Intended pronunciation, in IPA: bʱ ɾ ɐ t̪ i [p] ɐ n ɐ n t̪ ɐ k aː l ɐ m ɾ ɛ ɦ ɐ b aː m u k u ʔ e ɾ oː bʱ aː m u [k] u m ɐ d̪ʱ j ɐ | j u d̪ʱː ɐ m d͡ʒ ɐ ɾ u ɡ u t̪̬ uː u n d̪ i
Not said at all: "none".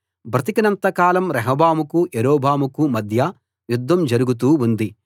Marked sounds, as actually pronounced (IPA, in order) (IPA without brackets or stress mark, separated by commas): k, k